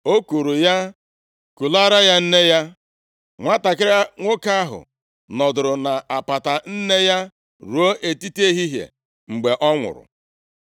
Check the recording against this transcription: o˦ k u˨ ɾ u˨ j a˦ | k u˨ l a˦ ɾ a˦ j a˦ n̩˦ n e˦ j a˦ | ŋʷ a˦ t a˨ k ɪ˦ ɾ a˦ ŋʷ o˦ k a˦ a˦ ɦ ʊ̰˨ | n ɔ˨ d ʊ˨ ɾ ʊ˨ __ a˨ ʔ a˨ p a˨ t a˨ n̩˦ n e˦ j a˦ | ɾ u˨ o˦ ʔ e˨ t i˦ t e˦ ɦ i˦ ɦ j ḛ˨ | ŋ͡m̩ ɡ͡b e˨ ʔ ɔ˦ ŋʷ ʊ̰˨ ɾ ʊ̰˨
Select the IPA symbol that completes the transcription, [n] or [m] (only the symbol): n